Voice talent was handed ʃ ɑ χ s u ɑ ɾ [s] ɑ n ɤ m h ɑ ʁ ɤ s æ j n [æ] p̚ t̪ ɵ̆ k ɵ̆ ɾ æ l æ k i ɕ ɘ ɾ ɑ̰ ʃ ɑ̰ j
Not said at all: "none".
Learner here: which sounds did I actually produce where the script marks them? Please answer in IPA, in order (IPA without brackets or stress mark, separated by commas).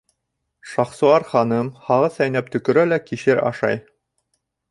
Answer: χ, æ